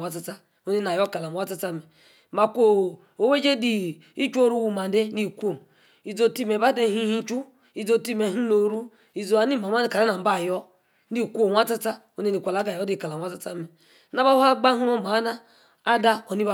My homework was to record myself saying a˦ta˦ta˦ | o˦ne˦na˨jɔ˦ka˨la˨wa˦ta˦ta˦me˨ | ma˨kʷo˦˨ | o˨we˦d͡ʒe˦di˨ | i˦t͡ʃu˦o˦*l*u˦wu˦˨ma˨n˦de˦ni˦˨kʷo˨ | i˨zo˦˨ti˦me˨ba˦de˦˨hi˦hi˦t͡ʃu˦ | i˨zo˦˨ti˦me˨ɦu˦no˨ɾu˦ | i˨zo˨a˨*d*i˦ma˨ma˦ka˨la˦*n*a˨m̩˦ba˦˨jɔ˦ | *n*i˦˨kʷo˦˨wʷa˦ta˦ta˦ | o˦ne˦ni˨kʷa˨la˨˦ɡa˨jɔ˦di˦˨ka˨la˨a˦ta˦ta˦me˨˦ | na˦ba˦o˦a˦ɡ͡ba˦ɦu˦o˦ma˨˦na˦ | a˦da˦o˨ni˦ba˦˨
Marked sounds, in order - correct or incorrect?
incorrect: ɾ, incorrect: n, correct, correct

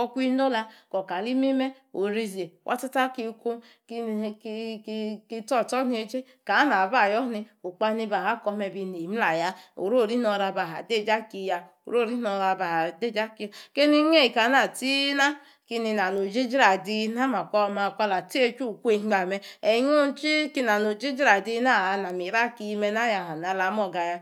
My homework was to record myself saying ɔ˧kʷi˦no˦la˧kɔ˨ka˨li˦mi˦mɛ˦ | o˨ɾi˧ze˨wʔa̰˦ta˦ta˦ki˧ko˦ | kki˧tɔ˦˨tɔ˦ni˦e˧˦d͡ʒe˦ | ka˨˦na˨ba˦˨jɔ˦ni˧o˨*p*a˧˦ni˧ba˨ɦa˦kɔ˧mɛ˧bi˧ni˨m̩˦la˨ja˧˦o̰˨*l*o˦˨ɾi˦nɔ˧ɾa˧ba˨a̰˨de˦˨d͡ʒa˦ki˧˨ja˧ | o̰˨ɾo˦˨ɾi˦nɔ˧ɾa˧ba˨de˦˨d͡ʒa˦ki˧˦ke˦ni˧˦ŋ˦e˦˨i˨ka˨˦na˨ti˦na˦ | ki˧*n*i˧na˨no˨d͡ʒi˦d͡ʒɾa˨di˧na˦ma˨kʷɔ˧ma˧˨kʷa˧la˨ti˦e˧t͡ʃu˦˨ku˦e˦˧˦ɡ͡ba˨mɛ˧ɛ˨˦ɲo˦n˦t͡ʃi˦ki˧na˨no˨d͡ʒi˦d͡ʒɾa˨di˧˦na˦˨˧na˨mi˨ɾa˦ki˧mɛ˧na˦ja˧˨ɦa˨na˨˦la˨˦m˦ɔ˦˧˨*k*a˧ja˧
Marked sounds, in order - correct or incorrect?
incorrect: k͡p, incorrect: ɾ, correct, incorrect: ɡ

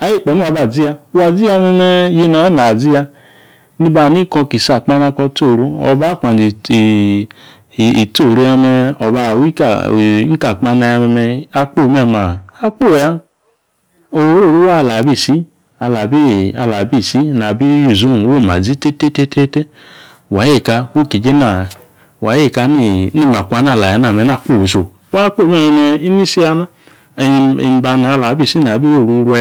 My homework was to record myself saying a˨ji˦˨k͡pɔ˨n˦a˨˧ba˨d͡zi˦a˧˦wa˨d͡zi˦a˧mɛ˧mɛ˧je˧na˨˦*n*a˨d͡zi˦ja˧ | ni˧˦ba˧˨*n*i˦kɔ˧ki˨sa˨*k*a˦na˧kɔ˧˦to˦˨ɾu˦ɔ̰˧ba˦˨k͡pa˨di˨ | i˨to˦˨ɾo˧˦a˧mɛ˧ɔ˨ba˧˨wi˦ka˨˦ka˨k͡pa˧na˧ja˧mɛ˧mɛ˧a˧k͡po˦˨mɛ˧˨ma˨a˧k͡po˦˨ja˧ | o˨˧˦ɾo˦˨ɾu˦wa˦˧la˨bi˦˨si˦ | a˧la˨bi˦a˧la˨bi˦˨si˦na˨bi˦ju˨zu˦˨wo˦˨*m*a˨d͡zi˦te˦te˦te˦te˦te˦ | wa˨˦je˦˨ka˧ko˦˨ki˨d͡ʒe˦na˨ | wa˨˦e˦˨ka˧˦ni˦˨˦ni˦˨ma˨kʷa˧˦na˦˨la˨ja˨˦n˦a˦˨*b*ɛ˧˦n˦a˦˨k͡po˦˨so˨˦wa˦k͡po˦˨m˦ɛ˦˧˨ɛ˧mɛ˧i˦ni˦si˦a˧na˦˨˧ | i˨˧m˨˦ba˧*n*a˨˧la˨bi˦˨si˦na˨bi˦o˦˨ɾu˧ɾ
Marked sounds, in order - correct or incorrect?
correct, correct, incorrect: k͡p, correct, incorrect: m, correct

